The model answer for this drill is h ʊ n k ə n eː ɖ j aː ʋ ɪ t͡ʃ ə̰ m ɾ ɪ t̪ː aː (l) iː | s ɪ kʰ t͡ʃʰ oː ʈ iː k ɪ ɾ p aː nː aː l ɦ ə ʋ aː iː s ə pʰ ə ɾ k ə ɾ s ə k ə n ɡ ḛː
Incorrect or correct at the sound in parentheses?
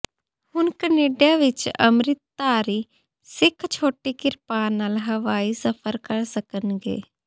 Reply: incorrect: ɾ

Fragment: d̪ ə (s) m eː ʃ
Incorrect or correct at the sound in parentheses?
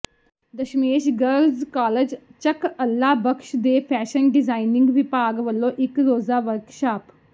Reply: incorrect: ʃ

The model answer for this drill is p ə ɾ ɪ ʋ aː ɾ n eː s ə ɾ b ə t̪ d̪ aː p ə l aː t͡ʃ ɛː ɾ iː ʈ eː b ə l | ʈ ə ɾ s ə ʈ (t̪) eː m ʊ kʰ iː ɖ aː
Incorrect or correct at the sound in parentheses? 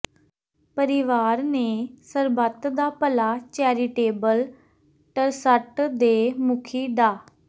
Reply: incorrect: d̪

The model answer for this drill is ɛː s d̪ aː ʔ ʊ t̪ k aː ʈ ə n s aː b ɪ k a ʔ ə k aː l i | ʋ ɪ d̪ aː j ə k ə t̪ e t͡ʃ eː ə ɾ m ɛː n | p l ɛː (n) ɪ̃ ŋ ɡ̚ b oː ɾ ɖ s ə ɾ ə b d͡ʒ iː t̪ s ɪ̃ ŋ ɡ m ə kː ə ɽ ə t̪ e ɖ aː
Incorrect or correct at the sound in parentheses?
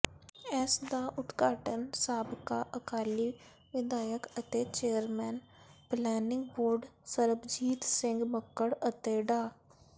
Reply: correct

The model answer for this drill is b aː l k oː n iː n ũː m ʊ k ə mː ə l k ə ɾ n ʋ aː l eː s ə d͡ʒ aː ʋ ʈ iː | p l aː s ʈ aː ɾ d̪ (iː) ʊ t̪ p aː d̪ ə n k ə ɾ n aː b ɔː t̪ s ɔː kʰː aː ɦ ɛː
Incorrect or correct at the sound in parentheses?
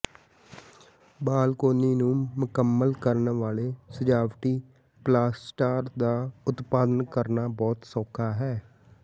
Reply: incorrect: aː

